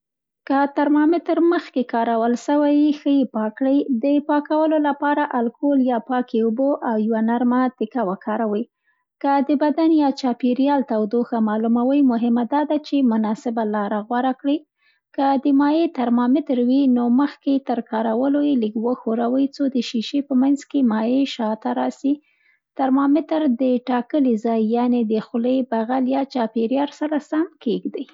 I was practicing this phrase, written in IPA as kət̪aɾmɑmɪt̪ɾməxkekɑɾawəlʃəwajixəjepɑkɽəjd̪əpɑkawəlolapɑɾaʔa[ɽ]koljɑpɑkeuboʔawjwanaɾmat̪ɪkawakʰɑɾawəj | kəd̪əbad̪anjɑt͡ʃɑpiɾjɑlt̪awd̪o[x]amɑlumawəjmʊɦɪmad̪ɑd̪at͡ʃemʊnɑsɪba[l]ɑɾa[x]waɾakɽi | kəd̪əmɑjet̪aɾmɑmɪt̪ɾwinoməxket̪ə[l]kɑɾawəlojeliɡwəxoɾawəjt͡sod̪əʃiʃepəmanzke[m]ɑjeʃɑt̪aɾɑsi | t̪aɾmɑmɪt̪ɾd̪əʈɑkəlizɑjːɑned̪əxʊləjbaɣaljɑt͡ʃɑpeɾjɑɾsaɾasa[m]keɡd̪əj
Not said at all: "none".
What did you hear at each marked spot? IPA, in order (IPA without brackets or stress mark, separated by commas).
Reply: l, x, l, ɣ, ɾ, m, m